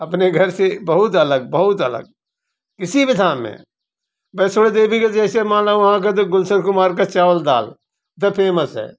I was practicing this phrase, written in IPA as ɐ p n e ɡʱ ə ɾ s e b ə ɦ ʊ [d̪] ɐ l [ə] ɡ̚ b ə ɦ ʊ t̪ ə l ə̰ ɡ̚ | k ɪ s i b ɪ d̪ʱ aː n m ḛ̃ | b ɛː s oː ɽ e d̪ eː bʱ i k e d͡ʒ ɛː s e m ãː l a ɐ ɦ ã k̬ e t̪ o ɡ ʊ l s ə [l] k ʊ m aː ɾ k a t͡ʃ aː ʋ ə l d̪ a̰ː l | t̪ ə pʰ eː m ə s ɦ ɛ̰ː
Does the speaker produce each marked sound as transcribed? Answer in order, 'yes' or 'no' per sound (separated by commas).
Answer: no, yes, no